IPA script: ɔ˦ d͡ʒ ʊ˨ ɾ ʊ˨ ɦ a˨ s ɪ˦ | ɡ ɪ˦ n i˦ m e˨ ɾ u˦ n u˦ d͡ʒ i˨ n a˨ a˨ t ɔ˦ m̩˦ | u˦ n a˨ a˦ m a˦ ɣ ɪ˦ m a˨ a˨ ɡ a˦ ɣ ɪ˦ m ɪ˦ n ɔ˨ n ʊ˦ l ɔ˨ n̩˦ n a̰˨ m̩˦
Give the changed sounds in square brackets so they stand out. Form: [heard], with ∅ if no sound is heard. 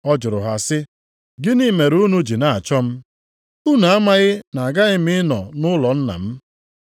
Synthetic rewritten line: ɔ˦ d͡ʒ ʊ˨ ɾ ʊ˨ ɦ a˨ s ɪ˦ | ɡ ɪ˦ n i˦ m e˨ ɾ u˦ n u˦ d͡ʒ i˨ n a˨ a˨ [t͡ʃ] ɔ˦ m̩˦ | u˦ n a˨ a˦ m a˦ ɣ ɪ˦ [n] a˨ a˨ ɡ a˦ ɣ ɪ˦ m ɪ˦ n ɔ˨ n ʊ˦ l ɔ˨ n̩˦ n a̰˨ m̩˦